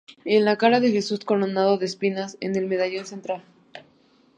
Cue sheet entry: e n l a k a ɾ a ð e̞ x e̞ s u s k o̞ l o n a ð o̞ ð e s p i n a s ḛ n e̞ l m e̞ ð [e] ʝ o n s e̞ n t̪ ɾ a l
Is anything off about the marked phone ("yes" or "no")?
yes